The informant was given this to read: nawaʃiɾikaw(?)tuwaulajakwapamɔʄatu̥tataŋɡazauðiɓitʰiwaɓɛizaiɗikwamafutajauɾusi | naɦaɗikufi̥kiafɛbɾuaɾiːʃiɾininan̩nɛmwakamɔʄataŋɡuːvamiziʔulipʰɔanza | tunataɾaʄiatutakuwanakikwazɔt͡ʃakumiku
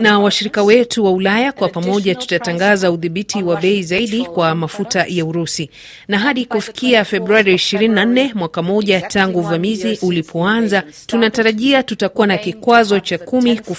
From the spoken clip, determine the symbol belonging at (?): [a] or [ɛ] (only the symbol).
ɛ